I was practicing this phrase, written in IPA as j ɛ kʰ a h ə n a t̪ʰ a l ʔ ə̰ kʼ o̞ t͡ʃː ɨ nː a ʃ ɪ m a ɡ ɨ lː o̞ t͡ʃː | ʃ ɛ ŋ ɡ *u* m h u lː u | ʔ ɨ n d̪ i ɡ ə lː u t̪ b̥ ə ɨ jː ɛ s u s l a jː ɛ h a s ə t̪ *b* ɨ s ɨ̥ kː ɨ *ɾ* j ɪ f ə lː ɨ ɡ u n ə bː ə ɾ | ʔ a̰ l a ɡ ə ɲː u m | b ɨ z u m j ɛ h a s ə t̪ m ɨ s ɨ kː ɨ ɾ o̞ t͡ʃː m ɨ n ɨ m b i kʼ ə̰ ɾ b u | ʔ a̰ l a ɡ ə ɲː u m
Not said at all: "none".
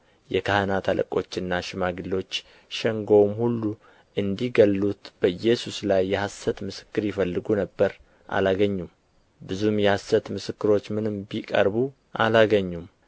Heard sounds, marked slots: o, m, ɾ

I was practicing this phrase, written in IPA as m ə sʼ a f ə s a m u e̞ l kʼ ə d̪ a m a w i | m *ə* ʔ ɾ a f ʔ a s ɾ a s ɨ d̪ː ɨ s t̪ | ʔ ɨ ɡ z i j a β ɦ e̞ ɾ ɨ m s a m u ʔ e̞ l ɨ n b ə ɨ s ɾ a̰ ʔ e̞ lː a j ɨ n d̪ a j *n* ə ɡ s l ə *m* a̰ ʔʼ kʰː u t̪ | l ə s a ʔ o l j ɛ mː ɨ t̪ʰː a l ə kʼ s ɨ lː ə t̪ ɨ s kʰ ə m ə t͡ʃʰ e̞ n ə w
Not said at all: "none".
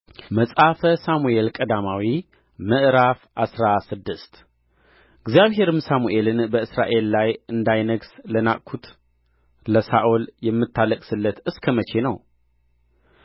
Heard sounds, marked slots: ə, n, n

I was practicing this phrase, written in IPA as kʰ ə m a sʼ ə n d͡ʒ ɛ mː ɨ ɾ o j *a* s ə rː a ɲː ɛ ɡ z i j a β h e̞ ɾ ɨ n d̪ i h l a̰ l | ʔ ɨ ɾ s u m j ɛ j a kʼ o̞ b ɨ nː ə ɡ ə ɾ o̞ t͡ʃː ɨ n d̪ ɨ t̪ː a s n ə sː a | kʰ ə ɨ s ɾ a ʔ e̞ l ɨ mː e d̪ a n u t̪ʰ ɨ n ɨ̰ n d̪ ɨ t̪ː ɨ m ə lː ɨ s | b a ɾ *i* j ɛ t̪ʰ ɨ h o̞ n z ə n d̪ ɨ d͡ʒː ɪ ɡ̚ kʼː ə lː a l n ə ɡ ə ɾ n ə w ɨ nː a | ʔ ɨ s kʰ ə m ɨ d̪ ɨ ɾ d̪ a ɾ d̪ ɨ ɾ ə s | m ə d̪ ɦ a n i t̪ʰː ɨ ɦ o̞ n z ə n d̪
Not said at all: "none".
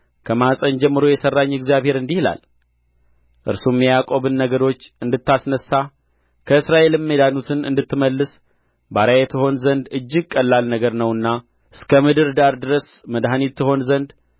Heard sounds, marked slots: ɛ, a

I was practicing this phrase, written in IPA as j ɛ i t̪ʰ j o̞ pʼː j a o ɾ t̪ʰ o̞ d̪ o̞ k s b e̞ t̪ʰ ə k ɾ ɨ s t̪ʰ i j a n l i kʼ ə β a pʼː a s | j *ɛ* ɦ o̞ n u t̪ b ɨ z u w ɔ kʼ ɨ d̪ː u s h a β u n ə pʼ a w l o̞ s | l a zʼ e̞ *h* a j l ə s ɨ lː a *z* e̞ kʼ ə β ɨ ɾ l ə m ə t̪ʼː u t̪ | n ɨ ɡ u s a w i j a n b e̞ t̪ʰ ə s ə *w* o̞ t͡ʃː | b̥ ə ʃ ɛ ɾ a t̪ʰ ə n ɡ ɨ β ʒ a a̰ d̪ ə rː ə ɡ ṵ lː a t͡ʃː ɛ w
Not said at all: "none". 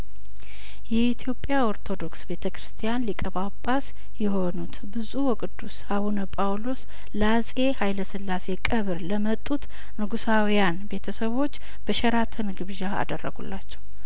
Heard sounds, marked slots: ɛ, h, s, β

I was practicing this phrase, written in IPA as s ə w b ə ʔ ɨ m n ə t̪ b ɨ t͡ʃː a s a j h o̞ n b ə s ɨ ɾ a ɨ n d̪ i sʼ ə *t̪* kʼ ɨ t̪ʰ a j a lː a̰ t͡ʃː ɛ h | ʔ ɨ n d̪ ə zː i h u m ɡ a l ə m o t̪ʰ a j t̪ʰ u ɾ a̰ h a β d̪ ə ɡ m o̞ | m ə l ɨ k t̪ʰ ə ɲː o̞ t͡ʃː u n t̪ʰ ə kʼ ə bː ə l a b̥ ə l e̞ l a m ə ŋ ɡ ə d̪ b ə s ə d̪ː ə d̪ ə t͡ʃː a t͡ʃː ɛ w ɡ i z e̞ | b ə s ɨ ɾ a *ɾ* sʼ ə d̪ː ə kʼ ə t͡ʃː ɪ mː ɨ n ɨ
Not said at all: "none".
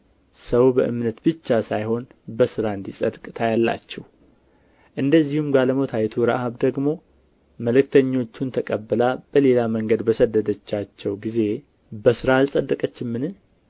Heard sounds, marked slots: d̪, l

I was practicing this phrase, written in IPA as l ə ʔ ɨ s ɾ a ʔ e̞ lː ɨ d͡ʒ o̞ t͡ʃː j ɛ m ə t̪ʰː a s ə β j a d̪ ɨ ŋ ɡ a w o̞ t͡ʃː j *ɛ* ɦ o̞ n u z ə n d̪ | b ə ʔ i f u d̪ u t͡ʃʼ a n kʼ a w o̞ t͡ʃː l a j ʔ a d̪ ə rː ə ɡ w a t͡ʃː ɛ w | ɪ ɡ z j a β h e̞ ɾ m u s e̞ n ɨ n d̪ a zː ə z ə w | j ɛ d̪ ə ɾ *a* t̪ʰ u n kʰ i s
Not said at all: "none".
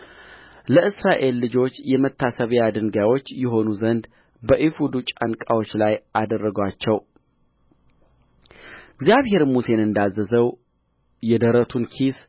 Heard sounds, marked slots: ɛ, ə

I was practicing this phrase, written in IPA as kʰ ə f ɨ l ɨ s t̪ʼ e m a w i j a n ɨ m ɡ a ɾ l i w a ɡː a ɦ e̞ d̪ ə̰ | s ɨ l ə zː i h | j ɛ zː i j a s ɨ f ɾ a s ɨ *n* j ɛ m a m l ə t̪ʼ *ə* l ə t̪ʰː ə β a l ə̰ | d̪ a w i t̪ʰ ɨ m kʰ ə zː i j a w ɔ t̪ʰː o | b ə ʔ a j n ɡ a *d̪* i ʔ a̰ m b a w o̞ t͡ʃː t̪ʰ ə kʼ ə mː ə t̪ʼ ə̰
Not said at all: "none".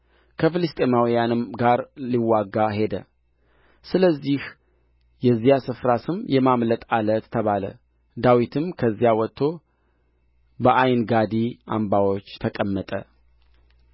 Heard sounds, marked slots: m, a, d̪

